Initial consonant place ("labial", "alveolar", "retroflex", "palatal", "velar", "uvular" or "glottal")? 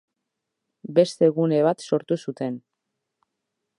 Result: labial